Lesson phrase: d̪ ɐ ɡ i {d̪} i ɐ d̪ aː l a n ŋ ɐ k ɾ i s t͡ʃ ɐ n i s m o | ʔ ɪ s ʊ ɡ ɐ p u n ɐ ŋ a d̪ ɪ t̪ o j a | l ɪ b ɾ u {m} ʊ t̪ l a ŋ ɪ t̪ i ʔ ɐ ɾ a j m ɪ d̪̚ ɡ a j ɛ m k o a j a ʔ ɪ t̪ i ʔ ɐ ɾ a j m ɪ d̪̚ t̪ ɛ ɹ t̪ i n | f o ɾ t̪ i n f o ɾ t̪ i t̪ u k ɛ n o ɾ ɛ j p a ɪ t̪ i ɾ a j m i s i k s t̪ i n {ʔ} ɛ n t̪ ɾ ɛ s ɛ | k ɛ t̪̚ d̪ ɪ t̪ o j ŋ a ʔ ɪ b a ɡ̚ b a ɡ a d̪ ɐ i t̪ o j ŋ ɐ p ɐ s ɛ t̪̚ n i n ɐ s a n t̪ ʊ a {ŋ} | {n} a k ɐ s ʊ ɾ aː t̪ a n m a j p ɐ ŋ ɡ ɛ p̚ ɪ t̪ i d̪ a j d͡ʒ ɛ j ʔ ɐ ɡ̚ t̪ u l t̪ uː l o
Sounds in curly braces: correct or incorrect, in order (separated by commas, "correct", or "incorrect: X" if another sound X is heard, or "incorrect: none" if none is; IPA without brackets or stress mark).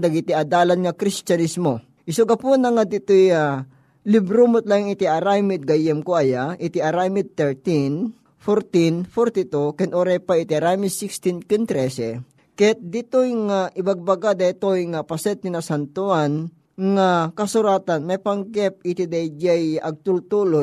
incorrect: t̪, correct, incorrect: k, incorrect: n, incorrect: ŋ